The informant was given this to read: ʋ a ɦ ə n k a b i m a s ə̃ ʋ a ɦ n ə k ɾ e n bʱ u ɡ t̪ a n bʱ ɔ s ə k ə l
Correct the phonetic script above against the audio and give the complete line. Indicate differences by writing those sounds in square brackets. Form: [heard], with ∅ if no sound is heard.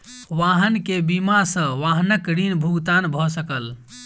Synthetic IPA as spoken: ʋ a ɦ ə n k [e] b i m a s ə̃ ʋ a ɦ n ə k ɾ [i] n bʱ u ɡ t̪ a n bʱ ɔ s ə k ə l